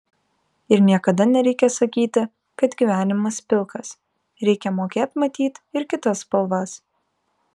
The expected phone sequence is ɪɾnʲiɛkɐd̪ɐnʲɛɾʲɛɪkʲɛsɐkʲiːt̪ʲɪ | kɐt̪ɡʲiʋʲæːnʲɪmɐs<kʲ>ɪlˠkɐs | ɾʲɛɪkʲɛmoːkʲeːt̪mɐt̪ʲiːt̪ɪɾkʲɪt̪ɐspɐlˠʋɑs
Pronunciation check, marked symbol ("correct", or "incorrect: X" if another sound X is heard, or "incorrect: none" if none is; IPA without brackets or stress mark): incorrect: pʲ